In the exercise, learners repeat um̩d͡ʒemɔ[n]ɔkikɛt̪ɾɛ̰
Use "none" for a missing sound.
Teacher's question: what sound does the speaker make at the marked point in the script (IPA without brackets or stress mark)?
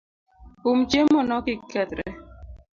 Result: n